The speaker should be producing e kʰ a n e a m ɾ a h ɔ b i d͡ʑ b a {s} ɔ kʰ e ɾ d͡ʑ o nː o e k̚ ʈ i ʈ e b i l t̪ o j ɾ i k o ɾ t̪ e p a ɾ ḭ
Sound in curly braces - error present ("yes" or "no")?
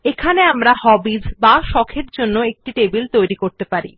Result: yes